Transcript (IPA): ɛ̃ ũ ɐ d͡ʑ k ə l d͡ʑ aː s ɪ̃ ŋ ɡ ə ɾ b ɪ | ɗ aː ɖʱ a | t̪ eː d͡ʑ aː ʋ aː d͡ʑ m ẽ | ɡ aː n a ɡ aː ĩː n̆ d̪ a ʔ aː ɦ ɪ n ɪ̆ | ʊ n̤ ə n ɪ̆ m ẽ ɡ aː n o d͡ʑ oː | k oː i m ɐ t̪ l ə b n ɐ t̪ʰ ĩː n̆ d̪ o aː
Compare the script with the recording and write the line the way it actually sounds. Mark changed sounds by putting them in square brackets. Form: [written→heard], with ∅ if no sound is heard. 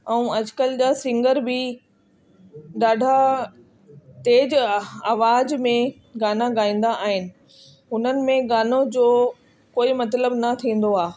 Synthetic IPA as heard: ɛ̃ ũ ɐ d͡ʑ k ə l d͡ʑ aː s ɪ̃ ŋ ɡ ə ɾ b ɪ | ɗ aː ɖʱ a | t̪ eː d͡ʑ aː ʋ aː d͡ʑ m ẽ | ɡ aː n a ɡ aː ĩː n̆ d̪ a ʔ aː ɦ ɪ n ɪ̆ | ʊ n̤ ə n ɪ̆ m ẽ ɡ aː n o d͡ʑ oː | k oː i m ɐ t̪ l ə b n ɐ t̪ʰ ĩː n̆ d̪ o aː

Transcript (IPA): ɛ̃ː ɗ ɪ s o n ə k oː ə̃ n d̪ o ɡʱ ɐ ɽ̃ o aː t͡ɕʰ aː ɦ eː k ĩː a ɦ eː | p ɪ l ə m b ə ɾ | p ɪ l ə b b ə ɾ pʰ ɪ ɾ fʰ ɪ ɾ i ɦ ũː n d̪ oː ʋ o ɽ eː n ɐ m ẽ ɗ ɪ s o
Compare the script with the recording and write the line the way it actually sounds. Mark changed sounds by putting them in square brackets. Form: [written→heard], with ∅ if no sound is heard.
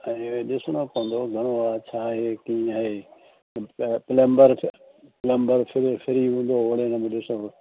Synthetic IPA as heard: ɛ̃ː ɗ ɪ s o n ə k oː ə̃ n d̪ o ɡʱ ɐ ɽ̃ o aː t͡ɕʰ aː ɦ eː k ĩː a ɦ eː | p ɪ l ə m b ə ɾ | p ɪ l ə [b→m] b ə ɾ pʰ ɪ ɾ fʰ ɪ ɾ i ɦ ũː n d̪ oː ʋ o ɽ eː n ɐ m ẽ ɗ ɪ s o

